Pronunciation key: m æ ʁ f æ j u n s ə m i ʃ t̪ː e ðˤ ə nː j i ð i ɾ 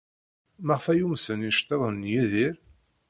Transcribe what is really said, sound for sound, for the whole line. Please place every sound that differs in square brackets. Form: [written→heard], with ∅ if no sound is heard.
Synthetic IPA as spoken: m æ ʁ f æ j u [n→m] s ə [m→n] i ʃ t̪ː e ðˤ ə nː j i ð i ɾ